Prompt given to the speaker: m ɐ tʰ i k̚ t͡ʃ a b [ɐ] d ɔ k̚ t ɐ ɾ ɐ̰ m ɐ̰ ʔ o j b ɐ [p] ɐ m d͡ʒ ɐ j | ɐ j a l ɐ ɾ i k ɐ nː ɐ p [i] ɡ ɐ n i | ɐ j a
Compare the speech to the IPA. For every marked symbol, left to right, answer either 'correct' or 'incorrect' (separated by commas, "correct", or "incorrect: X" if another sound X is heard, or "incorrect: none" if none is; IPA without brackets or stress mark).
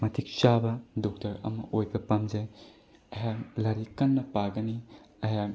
correct, correct, incorrect: a